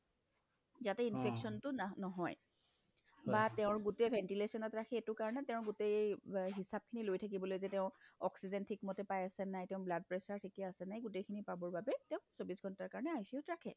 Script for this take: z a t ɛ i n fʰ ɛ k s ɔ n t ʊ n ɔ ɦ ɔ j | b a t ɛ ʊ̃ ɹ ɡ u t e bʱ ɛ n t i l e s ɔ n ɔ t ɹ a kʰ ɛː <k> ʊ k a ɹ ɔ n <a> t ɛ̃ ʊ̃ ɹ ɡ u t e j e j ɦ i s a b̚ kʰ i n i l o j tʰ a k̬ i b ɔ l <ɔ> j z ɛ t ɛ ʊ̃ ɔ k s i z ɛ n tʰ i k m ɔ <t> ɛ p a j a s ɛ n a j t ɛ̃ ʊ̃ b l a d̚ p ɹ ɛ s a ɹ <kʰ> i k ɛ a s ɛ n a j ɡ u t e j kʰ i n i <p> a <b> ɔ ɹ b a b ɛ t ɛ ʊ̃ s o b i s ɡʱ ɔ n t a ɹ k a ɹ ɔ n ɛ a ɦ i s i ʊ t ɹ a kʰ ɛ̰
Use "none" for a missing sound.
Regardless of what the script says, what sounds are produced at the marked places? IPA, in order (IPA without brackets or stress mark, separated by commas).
t, ɛ, o, t, tʰ, p, b